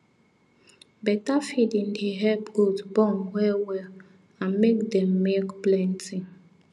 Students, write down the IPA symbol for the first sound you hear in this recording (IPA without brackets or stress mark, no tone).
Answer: b